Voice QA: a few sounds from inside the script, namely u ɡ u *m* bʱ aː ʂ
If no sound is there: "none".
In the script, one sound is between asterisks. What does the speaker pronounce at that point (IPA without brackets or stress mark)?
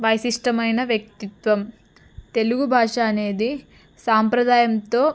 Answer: none